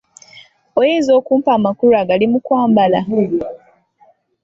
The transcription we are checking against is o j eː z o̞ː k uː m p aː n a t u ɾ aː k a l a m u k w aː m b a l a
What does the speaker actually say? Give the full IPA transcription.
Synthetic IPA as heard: o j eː z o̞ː k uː m p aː m a k u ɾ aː ɡ a l i m u k w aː m b a l a